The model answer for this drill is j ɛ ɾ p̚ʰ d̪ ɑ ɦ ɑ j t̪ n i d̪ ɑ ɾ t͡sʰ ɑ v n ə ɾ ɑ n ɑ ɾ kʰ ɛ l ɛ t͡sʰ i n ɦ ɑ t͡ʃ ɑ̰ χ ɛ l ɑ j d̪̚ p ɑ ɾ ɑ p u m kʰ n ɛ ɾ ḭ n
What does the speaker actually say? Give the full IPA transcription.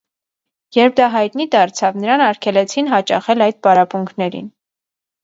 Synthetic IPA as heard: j ɛ ɾ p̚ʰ d̪ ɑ ɦ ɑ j t̪ n i d̪ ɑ ɾ t͡sʰ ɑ v n ə ɾ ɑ n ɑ ɾ kʰ ɛ l ɛ t͡sʰ i n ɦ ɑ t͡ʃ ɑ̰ χ ɛ l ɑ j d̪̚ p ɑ ɾ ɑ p u ŋ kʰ n ɛ ɾ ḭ n